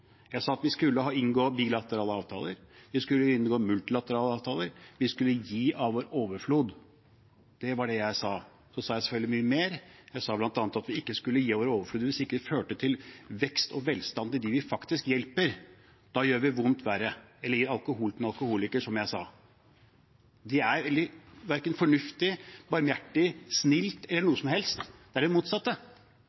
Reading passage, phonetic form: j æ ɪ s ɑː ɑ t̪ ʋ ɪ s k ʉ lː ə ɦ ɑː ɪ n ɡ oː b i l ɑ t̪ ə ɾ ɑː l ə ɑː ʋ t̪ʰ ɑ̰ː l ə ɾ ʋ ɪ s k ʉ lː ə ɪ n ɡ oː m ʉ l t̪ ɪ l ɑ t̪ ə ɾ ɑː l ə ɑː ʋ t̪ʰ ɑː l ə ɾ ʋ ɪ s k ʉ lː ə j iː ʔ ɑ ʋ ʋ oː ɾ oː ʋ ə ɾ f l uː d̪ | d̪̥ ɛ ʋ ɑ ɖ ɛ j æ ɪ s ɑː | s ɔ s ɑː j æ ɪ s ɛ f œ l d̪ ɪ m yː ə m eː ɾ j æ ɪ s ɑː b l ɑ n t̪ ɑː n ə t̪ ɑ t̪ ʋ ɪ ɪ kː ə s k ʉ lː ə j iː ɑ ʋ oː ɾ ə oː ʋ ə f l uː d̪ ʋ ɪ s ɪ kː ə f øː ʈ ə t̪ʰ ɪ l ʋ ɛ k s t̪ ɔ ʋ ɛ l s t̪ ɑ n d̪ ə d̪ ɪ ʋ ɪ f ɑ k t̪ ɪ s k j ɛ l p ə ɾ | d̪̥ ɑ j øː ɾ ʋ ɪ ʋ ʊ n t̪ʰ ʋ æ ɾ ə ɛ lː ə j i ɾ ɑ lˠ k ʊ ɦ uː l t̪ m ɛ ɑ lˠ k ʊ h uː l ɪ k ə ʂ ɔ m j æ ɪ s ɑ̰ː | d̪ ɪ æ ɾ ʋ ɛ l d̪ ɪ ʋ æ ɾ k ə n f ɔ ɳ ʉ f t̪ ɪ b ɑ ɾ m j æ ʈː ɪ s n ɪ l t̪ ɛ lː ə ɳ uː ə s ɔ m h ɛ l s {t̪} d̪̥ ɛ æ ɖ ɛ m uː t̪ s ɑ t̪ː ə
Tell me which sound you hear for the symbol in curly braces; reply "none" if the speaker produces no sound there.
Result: t̪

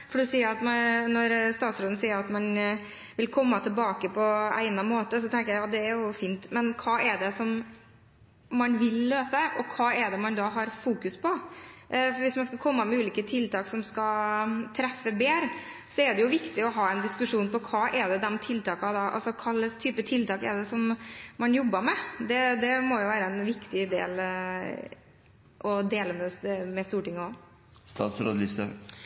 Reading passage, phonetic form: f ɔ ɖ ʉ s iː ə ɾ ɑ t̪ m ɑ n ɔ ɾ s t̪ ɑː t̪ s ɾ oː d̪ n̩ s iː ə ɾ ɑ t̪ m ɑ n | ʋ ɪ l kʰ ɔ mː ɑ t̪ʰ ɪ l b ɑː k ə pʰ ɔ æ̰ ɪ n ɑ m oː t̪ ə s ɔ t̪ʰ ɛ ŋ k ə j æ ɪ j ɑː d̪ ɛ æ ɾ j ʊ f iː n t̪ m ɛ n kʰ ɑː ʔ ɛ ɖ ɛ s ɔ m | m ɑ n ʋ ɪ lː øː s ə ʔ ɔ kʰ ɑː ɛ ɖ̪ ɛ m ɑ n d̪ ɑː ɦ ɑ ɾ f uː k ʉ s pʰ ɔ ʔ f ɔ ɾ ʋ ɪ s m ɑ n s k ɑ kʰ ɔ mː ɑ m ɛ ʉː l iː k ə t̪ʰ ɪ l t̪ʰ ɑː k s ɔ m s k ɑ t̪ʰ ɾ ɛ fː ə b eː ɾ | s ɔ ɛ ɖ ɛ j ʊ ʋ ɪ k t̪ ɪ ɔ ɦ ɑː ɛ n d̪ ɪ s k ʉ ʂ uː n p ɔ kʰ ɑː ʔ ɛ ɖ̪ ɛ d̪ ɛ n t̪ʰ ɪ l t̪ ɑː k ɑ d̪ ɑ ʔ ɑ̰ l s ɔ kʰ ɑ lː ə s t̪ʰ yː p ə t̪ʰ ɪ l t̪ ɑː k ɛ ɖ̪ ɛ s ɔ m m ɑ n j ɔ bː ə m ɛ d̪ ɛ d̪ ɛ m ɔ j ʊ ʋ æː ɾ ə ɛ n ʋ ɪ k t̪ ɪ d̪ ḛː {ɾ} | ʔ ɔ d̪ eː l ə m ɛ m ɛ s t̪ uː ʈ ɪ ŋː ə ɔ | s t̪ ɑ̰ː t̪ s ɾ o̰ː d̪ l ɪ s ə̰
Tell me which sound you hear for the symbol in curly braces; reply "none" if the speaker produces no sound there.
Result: l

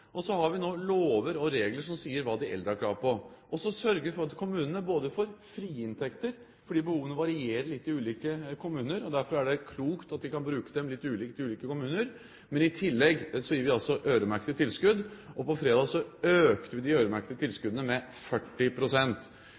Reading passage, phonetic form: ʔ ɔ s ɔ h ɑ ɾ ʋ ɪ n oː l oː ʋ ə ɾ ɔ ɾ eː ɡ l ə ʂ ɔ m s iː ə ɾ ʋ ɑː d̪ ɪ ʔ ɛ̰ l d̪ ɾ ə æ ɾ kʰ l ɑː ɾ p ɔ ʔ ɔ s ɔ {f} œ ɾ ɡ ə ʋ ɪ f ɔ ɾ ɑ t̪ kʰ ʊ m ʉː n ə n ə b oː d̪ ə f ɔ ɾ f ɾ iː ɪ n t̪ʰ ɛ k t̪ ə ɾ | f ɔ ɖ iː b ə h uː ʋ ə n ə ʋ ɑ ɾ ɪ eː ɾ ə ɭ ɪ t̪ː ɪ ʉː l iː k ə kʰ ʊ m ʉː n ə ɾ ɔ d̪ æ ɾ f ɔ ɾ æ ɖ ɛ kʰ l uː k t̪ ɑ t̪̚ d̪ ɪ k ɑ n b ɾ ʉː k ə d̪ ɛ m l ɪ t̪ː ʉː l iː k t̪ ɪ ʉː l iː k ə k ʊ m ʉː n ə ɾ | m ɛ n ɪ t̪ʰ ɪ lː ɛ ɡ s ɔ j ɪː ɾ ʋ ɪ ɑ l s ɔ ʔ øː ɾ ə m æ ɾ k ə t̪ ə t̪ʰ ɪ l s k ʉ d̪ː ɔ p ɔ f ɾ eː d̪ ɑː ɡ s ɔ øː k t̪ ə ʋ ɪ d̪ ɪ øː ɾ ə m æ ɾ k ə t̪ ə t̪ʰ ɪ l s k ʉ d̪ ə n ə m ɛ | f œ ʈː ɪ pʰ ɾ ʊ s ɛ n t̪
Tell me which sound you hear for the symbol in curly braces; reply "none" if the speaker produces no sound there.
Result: s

